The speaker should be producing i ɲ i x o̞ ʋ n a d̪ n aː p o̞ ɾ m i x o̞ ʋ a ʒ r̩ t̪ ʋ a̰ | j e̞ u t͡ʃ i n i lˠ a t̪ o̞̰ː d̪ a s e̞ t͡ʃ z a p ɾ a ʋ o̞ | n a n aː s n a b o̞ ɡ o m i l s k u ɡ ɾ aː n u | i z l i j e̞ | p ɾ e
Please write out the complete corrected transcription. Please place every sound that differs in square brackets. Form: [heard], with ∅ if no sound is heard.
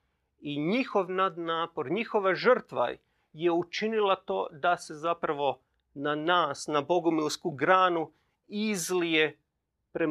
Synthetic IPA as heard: i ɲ i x o̞ ʋ n a d̪ n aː p o̞ ɾ [ɲ] i x o̞ ʋ a ʒ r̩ t̪ ʋ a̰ | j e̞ u t͡ʃ i n i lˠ a t̪ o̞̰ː d̪ a s e̞ [∅] z a p ɾ a ʋ o̞ | n a n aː s n a b o̞ ɡ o m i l s k u ɡ ɾ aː n u | i z l i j e̞ | p ɾ e